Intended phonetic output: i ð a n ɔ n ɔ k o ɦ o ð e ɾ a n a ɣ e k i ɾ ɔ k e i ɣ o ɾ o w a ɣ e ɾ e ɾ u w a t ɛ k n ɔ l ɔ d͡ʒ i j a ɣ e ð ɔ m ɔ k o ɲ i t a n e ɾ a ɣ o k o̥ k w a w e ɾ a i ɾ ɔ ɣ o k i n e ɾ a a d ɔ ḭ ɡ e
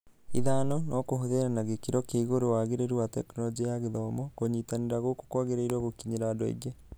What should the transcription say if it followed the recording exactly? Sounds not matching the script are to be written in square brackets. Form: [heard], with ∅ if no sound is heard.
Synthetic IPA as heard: i ð a n ɔ n ɔ k o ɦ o ð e ɾ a n a ɣ e k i ɾ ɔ k e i ɣ o ɾ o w a ɣ e ɾ e ɾ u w a t ɛ k n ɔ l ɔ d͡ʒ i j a ɣ e ð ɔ m ɔ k o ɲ i t a n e ɾ a ɣ o k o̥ k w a [ɣ] e ɾ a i ɾ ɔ ɣ o k i [ɲ] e ɾ a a d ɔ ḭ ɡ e